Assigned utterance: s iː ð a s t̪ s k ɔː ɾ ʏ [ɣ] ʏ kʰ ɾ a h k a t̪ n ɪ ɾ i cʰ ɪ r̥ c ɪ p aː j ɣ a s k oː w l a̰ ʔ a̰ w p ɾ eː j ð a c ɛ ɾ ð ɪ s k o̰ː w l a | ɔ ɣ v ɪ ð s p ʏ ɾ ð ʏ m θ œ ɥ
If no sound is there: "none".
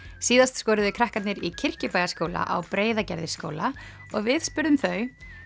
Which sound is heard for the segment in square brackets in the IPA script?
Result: ð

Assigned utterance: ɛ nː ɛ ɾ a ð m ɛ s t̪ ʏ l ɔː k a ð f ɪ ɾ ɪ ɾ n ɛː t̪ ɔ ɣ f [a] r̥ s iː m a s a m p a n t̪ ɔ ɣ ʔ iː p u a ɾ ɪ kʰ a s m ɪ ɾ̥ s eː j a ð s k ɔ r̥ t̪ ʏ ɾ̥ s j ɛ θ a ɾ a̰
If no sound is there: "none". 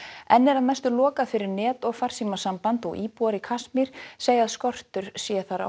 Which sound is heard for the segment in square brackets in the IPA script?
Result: a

